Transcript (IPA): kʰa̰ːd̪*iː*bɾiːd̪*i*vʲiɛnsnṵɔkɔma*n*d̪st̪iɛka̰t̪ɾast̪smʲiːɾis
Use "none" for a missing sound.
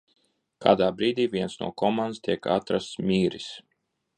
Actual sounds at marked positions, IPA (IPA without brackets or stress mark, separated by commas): aː, iː, n